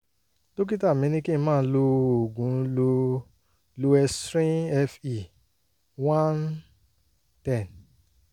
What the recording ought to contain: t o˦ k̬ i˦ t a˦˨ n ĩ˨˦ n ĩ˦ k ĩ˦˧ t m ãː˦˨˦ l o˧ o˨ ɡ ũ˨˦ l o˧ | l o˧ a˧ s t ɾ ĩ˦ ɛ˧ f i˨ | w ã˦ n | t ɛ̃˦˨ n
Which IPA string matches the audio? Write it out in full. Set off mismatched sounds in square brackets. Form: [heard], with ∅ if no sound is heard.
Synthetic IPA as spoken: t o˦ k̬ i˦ t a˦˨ [m] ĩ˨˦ n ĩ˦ k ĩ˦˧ [∅] m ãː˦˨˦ l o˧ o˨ ɡ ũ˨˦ l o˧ | l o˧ [ɛ˧] s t ɾ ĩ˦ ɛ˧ f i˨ | w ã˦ n | t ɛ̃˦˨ n